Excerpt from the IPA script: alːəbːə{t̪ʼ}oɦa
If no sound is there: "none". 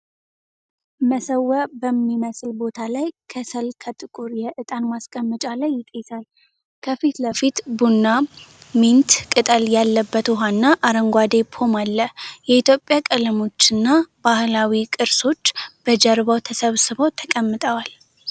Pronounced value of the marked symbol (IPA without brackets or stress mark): t̪